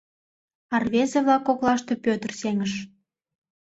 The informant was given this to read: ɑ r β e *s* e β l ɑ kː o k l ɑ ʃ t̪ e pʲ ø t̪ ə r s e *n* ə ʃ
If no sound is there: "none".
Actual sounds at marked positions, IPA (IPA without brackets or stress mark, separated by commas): z, ŋ